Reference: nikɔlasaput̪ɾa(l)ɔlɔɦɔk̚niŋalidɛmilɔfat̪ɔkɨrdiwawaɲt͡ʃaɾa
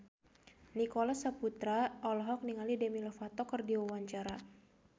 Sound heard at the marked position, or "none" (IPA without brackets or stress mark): none